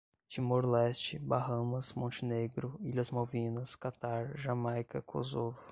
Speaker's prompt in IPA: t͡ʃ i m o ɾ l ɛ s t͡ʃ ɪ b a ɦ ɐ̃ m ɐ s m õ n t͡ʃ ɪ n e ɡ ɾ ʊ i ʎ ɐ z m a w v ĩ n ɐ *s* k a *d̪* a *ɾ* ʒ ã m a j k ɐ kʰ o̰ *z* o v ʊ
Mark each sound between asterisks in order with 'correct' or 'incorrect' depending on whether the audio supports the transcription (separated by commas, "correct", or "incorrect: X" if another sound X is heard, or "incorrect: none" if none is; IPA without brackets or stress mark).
correct, incorrect: t̪, correct, correct